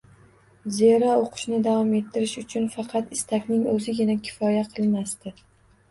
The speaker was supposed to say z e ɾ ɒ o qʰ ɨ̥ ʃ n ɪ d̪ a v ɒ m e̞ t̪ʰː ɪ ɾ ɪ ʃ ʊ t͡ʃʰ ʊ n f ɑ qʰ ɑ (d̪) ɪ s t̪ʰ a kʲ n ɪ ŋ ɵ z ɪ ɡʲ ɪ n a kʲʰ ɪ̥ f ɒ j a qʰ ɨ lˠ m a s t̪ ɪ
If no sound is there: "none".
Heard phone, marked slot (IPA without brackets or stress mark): t̪